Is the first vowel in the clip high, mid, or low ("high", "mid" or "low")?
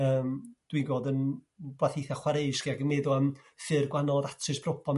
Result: mid